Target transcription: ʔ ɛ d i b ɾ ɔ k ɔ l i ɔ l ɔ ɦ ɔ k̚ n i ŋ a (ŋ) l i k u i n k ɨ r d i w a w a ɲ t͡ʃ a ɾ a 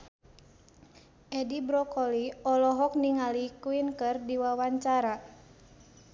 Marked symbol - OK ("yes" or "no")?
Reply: no